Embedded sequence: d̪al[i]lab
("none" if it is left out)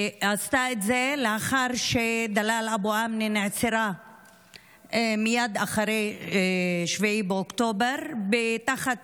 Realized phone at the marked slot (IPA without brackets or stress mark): a